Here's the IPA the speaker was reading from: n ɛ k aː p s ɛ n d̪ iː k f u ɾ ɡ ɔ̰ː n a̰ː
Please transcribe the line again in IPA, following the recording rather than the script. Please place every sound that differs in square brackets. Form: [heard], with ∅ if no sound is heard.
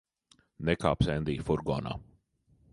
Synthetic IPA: n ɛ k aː p s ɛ n d̪ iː [∅] f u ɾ ɡ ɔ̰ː n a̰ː